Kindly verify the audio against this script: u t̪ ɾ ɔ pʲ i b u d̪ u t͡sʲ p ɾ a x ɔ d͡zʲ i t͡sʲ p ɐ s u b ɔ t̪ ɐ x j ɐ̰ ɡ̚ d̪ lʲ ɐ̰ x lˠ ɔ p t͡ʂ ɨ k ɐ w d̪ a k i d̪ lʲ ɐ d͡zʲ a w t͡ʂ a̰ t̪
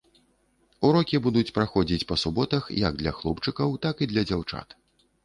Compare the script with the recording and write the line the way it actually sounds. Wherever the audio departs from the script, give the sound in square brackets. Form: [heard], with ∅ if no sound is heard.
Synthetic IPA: u [∅] ɾ ɔ [kʲ] i b u d̪ u t͡sʲ p ɾ a x ɔ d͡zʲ i t͡sʲ p ɐ s u b ɔ t̪ ɐ x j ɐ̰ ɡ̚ d̪ lʲ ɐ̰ x lˠ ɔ p t͡ʂ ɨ k ɐ w [t̪] a k i d̪ lʲ ɐ d͡zʲ a w t͡ʂ a̰ t̪